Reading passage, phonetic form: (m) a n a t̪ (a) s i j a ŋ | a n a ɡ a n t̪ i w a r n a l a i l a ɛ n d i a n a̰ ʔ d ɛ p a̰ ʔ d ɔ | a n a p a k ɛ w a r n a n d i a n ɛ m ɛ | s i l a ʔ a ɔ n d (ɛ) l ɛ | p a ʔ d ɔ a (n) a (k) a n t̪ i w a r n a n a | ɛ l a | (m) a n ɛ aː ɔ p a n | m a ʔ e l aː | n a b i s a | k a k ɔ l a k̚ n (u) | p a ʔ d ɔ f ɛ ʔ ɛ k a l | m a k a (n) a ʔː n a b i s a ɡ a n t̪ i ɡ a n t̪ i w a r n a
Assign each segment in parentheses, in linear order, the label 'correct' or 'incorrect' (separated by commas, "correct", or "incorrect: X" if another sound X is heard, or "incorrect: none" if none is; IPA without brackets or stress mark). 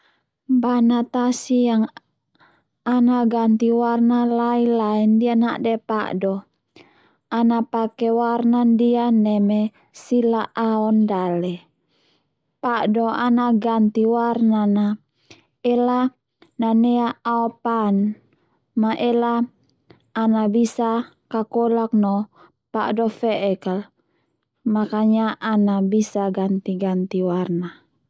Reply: incorrect: b, correct, incorrect: a, correct, incorrect: ɡ, incorrect: n, incorrect: ɔ, incorrect: ɲ